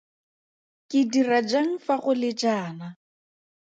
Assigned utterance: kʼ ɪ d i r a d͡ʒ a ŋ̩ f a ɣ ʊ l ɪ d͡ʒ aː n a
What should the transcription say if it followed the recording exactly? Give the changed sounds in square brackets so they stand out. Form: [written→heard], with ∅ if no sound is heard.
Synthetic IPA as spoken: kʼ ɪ d i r a d͡ʒ a ŋ̩ f a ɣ ʊ l ɪ d͡ʒ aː n a